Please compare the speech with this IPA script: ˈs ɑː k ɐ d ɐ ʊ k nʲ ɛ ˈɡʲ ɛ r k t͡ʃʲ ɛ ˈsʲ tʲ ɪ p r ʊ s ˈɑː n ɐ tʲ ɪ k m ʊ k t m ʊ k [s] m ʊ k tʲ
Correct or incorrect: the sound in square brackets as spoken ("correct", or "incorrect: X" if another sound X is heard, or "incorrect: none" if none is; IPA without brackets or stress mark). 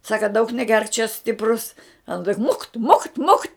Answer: incorrect: t